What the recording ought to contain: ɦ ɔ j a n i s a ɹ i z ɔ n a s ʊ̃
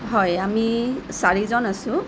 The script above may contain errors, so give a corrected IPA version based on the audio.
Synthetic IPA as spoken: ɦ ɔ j a m i s a ɹ i z ɔ n a s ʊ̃

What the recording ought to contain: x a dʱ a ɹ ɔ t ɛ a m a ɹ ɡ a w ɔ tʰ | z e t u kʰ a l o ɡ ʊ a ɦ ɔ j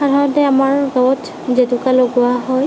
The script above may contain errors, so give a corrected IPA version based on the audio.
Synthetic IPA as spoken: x a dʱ a ɹ ɔ t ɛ a m a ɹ ɡ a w ɔ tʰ | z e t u k a l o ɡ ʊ a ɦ ɔ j

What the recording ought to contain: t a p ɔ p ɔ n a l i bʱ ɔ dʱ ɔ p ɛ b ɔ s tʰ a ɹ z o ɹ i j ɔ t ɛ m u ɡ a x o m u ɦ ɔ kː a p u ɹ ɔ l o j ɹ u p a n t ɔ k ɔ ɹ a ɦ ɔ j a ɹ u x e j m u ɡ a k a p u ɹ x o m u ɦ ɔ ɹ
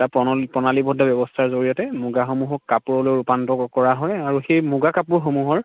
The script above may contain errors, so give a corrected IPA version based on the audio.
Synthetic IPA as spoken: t a p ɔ p ɔ n a l i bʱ ɔ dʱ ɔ b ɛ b ɔ s tʰ a ɹ z o ɹ i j ɔ t ɛ m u ɡ a x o m u ɦ ɔ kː a p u ɹ ɔ l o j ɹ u p a n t ɔ k ɔ ɹ a ɦ ɔ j a ɹ u x e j m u ɡ a k a p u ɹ x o m u ɦ ɔ ɹ

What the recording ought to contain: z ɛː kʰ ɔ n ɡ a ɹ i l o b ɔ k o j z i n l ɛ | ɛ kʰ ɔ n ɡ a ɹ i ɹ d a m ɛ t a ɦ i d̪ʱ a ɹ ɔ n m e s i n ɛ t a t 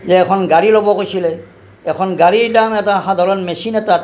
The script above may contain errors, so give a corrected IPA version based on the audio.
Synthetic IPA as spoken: z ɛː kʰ ɔ n ɡ a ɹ i l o b ɔ k o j s i l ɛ | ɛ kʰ ɔ n ɡ a ɹ i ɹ d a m ɛ t a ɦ a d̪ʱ a ɹ ɔ n m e s i n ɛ t a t

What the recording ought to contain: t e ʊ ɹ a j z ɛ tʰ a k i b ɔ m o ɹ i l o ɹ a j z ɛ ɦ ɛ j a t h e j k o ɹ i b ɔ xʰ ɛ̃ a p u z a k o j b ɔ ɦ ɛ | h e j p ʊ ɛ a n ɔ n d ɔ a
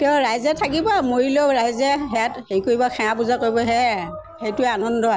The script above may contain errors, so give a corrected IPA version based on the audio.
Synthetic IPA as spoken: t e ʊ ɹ a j z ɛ tʰ a k i b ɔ m o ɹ i l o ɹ a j z ɛ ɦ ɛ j a t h e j k o ɹ i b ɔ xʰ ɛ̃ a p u z a k o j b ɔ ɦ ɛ | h e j t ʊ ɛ a n ɔ n d ɔ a

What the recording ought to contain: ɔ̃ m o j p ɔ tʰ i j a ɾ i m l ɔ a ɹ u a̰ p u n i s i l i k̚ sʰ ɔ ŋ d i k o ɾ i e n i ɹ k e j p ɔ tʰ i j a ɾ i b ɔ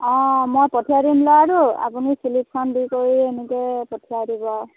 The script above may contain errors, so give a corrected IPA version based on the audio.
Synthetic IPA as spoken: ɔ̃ m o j p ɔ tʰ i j a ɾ i m l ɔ a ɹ u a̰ p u n i s i l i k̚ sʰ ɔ n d i k o ɹ i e n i k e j p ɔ tʰ i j a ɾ i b ɔ

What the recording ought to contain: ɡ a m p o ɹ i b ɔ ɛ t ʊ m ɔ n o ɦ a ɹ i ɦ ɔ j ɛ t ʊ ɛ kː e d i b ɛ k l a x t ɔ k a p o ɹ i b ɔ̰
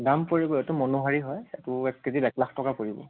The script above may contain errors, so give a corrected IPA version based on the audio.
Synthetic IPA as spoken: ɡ a m p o ɹ i b ɔ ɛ t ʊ m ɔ n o ɦ a ɹ i ɦ ɔ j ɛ t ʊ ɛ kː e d i b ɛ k l a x t ɔ k a p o ɹ i b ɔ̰

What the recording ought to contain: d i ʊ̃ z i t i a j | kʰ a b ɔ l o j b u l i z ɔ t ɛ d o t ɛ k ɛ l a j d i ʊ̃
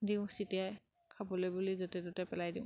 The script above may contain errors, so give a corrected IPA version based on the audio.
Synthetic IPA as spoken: d i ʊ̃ s i t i a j | kʰ a b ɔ l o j b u l i z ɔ t ɛ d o t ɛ p ɛ l a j d i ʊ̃

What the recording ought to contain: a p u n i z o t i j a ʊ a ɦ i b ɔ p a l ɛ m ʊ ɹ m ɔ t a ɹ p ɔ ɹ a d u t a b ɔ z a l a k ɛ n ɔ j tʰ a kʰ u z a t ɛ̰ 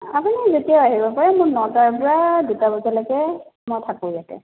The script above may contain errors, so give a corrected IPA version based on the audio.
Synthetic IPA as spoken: a p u n i z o t i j a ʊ a ɦ i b ɔ p a ɹ ɛ m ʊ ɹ n ɔ t a ɹ p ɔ ɹ a d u t a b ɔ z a l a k ɛ m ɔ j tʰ a k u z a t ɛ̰

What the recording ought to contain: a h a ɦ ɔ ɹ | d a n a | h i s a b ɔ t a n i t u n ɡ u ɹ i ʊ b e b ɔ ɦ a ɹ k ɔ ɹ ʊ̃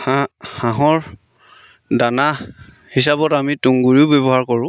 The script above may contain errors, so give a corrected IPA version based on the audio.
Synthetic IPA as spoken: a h a ɦ ɔ ɹ | d a n a | h i s a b ɔ t a m i t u ŋ ɡ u ɹ i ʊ b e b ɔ ɦ a ɹ k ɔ ɹ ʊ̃

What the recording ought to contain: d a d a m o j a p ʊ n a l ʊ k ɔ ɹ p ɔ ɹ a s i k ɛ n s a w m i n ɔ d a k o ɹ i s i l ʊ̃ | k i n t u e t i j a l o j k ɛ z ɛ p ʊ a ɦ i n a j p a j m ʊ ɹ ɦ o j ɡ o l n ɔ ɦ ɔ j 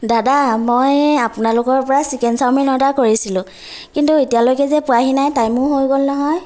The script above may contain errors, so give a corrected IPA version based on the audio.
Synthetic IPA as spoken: d a d a m o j a p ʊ n a l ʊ k ɔ ɹ p ɔ ɹ a s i k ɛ n s a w m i n ɔ d a k o ɹ i s i l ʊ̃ | k i n t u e t i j a l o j k ɛ z ɛ p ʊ a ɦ i n a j t a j m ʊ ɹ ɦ o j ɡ o l n ɔ ɦ ɔ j

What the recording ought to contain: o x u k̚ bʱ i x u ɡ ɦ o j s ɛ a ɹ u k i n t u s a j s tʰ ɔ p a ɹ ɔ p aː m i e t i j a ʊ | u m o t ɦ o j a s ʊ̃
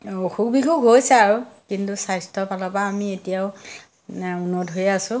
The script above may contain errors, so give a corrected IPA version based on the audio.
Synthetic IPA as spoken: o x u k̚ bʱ i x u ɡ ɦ o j s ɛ a ɹ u k i n t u s a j s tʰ ɔ p a l ɔ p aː m i e t i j a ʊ | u n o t ɦ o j a s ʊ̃

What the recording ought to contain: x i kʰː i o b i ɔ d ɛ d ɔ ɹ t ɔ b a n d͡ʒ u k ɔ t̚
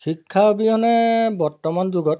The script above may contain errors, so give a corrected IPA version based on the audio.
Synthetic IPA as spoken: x i kʰː a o b i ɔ n ɛ b ɔ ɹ t ɔ m a n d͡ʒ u ɡ ɔ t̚

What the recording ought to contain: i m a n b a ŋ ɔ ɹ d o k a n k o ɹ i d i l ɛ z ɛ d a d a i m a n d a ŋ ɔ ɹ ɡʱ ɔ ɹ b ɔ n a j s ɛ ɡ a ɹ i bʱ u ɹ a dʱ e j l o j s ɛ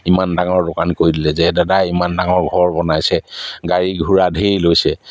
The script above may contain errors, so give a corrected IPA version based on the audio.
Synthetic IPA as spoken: i m a n d a ŋ ɔ ɹ d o k a n k o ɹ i d i l ɛ z ɛ d a d a i m a n d a ŋ ɔ ɹ ɡʱ ɔ ɹ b ɔ n a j s ɛ ɡ a ɹ i ɡʱ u ɹ a dʱ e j l o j s ɛ

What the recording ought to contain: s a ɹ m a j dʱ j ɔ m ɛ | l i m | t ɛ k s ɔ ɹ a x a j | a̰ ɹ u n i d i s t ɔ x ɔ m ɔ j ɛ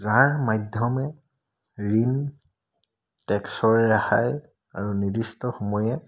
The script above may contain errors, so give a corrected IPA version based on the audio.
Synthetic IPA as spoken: z a ɹ m a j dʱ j ɔ m ɛ | ɹ i n | t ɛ k s ɔ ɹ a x a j | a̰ ɹ u n i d i s t ɔ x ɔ m ɔ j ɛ

